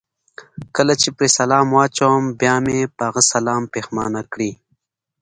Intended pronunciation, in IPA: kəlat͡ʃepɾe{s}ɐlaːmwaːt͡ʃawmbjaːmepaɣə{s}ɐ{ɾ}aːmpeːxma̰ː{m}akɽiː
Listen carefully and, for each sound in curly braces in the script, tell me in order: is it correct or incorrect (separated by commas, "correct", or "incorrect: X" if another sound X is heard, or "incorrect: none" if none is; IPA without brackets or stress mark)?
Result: correct, correct, incorrect: l, incorrect: n